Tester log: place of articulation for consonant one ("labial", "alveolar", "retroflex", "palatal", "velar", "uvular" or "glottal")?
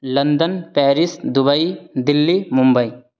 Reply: alveolar